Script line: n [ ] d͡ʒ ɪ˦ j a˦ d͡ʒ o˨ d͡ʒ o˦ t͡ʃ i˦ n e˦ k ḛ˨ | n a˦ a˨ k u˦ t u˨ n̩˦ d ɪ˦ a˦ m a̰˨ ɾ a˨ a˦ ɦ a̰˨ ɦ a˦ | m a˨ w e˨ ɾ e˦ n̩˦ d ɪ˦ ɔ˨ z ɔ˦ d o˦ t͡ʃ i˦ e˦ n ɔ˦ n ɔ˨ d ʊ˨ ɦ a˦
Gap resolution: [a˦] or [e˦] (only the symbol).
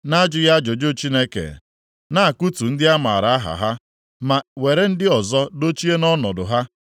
a˦